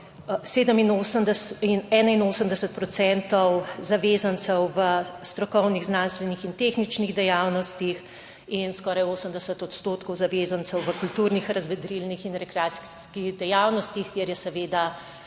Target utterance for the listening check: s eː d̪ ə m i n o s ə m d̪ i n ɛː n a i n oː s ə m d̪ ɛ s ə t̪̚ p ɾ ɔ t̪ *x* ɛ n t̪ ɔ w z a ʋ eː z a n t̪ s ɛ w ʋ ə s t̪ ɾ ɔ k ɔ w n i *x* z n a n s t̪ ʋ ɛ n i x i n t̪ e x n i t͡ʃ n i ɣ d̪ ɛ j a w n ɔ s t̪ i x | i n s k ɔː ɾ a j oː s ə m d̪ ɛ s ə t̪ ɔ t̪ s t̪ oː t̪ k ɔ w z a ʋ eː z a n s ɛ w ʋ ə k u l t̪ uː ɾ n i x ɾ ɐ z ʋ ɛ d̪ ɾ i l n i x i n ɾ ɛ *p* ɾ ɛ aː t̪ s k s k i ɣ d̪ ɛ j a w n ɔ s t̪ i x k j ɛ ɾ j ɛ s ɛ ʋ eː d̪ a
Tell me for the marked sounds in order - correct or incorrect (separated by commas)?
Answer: incorrect, incorrect, incorrect